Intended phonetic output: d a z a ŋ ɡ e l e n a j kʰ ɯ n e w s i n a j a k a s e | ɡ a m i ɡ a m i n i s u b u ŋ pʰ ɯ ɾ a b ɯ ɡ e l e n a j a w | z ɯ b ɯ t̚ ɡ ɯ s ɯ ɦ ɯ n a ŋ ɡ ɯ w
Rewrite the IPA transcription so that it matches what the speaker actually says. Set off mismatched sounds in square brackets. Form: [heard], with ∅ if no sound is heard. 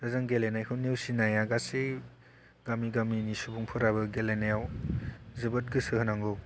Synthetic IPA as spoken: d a z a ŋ ɡ e l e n a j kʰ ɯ n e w s i n a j a [ɡ] a s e | ɡ a m i ɡ a m i n i s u b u ŋ pʰ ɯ ɾ a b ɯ ɡ e l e n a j a w | z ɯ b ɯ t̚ ɡ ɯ s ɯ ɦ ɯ n a ŋ ɡ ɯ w